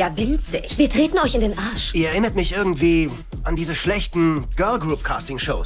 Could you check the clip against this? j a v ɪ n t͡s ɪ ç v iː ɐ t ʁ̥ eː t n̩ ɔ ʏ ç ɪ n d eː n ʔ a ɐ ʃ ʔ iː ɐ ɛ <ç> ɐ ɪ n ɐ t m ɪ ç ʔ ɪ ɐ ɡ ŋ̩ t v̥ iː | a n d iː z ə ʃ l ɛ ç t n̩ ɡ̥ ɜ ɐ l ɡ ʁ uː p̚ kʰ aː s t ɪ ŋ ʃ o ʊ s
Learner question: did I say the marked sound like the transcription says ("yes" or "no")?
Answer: no